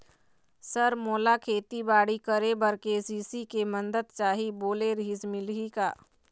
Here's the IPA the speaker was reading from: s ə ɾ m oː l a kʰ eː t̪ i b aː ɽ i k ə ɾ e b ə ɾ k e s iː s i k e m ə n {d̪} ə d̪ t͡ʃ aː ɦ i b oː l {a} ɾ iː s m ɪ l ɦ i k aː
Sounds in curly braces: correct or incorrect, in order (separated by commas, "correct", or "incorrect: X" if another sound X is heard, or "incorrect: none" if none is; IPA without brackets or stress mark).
correct, incorrect: e